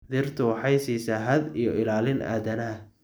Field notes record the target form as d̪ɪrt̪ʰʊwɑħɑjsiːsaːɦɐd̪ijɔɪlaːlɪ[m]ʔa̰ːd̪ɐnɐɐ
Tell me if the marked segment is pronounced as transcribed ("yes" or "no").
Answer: no